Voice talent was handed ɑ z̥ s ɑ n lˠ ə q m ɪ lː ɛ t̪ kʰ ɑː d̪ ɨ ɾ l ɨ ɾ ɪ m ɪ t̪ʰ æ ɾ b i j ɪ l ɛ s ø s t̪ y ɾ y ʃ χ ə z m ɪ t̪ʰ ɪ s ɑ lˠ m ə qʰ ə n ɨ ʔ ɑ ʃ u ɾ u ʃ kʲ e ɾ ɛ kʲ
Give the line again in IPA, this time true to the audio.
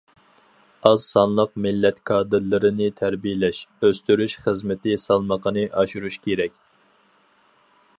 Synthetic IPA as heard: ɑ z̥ s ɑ n lˠ ə q m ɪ lː ɛ t̪ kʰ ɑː d̪ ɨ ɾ l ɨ ɾ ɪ n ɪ t̪ʰ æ ɾ b i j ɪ l ɛ ʃ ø s t̪ y ɾ y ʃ χ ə z m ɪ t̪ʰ ɪ s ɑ lˠ m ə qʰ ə n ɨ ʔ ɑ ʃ u ɾ u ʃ kʲ e ɾ ɛ kʲ